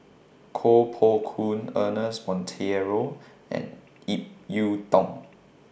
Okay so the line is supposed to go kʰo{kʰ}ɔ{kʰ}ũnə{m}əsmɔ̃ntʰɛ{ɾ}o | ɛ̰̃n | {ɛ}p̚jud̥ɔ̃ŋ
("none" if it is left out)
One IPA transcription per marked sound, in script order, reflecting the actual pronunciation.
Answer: pʰ, kʰ, n, ɹ, i

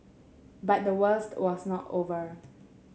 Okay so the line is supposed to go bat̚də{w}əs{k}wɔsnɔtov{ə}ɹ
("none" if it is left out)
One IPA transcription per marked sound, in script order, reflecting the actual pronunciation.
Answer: w, t, ə

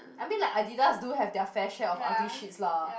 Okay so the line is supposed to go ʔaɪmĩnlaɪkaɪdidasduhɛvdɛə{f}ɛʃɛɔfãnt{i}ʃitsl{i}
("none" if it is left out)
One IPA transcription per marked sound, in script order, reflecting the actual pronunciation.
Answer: f, i, a

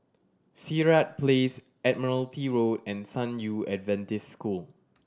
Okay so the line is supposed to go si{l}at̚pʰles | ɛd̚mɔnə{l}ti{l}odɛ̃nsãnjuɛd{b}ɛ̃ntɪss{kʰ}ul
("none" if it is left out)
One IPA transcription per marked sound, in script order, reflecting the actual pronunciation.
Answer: ɹ, l, ɹ, v, k

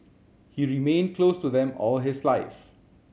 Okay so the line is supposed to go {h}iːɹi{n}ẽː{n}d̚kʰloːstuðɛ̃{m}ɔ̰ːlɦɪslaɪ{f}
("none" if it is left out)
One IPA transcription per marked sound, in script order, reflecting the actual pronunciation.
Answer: h, m, n, m, f

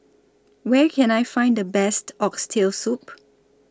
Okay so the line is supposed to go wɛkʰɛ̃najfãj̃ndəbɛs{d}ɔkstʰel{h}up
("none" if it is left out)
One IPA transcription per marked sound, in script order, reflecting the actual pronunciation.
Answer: t, s

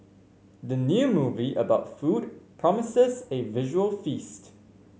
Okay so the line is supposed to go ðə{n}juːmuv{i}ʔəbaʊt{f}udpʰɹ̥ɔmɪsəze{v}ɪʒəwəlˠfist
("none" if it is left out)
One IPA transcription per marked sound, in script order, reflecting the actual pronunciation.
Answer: n, i, f, v

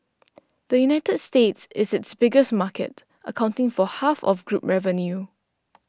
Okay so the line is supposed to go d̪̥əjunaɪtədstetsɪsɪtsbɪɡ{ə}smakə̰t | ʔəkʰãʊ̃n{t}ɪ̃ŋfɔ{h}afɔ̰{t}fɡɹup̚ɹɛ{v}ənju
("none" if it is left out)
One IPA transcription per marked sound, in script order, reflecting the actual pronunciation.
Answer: ə, t, h, none, v

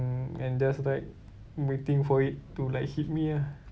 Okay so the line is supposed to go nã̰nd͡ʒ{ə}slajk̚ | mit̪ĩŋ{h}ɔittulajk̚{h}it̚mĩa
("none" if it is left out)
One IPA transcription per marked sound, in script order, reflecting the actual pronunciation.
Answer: a, f, h

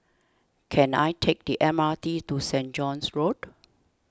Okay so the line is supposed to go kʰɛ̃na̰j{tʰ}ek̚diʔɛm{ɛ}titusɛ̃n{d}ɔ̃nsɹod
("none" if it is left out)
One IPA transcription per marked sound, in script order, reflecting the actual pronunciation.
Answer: tʰ, a, d͡ʒ

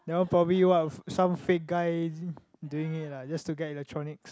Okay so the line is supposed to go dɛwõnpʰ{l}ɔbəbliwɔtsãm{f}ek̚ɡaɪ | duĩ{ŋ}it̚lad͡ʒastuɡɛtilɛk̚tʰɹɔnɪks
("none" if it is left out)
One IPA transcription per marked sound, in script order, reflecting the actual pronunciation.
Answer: ɹ, f, ŋ

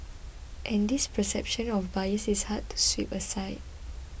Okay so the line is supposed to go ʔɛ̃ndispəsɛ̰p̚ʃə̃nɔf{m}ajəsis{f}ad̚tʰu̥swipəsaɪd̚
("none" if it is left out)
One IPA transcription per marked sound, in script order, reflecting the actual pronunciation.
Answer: b, h

